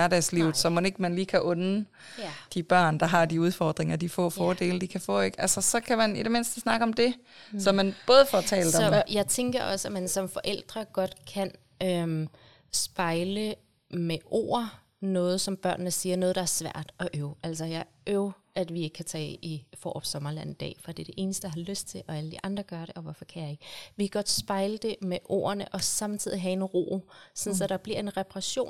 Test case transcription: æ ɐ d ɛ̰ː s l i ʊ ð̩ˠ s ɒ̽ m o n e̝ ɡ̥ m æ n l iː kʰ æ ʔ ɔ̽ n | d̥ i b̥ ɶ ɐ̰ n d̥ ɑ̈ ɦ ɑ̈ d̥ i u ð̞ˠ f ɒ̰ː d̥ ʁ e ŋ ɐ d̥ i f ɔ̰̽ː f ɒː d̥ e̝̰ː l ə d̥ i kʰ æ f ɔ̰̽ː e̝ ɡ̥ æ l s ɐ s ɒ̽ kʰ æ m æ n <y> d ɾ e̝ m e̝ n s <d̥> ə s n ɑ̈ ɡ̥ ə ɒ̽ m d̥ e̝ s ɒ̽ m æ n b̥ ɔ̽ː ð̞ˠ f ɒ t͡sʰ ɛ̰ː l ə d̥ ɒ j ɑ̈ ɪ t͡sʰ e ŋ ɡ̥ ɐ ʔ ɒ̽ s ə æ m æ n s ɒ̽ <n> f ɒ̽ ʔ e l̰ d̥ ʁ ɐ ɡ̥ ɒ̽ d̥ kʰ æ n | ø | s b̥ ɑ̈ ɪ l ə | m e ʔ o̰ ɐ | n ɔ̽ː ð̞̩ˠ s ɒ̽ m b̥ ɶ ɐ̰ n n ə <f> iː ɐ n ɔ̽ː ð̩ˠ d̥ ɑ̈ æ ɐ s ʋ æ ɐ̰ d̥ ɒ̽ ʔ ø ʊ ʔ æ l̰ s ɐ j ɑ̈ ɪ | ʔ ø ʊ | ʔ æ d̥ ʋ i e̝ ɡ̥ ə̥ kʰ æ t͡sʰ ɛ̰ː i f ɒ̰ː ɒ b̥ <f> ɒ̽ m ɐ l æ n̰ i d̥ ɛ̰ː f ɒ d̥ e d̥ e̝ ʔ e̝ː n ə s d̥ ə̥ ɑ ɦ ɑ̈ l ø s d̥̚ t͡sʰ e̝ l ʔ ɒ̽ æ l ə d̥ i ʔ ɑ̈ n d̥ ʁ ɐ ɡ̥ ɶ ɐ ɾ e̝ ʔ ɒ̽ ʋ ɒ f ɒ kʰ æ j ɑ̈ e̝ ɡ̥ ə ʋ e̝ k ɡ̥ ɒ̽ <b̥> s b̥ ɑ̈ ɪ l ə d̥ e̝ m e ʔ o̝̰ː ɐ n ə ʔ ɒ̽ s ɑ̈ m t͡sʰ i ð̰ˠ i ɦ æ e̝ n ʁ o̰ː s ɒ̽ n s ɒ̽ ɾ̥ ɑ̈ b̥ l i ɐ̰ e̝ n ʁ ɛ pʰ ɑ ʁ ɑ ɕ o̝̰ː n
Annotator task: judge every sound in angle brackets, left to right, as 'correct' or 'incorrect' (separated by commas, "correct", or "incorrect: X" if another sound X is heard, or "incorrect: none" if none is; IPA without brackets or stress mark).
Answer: incorrect: i, correct, incorrect: m, incorrect: s, incorrect: s, incorrect: d̥